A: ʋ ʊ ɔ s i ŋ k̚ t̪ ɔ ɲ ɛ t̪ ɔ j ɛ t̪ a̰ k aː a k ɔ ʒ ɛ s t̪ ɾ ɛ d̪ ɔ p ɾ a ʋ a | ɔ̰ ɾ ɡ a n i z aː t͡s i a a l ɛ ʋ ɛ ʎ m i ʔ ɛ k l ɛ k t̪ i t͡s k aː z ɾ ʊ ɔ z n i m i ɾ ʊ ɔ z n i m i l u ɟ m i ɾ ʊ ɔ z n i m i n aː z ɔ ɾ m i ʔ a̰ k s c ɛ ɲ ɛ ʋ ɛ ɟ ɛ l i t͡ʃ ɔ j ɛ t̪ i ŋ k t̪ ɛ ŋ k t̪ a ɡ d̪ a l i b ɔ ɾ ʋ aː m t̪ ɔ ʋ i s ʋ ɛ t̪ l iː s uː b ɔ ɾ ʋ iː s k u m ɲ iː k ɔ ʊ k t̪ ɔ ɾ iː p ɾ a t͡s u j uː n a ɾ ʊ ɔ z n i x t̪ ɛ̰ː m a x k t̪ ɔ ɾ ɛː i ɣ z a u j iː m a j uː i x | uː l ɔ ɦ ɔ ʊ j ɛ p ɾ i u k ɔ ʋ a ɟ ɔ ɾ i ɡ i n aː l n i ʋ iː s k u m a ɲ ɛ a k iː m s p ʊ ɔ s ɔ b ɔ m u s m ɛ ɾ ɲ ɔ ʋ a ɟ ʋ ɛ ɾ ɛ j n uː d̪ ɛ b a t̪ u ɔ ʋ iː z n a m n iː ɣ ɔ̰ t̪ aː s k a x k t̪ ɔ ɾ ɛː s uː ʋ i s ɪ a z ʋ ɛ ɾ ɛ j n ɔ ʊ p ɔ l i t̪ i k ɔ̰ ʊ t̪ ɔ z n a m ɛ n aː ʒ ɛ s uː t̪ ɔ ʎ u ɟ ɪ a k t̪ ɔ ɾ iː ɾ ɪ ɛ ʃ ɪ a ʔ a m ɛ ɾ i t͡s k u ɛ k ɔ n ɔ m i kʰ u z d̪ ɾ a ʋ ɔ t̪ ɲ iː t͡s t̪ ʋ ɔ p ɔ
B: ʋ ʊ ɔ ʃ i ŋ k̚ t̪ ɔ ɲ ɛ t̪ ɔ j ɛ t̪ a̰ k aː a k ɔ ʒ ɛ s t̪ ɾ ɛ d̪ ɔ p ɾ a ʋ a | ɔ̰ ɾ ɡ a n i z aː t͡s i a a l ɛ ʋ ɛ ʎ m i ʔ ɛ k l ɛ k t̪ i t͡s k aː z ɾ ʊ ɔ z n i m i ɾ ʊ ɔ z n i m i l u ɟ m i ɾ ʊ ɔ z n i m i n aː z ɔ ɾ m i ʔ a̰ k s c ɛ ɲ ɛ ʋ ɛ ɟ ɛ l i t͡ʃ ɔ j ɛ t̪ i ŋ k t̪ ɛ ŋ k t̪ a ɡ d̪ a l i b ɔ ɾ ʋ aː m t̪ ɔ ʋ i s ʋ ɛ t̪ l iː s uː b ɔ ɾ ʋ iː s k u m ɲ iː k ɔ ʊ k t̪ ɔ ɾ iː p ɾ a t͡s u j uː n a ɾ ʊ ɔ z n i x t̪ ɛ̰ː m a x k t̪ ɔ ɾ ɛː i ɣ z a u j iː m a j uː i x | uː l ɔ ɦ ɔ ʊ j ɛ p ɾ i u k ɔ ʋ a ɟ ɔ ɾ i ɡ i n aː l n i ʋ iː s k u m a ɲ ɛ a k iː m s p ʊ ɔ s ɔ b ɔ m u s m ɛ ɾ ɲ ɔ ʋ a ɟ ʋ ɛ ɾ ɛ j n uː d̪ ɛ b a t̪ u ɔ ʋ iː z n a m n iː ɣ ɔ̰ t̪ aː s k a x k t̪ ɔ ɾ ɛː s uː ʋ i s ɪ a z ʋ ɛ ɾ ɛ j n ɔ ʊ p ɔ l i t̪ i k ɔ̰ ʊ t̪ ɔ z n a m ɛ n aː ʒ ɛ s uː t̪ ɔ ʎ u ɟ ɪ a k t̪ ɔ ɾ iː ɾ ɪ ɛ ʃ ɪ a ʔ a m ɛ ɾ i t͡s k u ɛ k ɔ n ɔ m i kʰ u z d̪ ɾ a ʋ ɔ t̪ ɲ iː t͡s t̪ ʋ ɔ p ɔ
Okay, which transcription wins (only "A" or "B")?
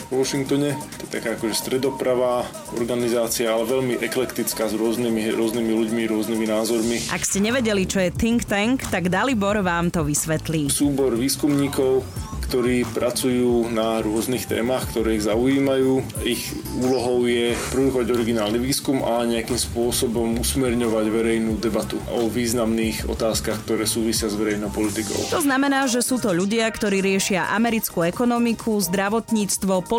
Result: B